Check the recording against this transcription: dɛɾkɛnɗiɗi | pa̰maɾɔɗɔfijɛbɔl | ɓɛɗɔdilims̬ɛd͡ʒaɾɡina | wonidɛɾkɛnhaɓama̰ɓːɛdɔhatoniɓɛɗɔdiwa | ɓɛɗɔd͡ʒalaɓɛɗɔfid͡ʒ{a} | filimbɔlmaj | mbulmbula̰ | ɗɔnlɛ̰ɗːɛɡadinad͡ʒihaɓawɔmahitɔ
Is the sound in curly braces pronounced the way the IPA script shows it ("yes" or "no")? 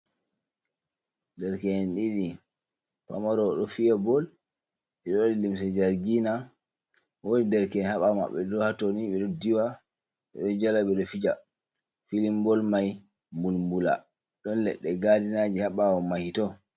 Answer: yes